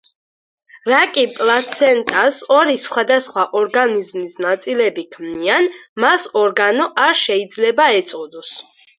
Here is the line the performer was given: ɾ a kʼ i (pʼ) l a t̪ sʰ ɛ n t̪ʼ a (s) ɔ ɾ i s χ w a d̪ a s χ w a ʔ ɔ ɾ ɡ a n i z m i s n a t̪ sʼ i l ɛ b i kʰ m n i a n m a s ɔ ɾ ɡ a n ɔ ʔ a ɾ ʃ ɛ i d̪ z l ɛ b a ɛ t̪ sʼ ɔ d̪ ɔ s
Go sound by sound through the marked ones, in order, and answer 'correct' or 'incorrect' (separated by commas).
correct, correct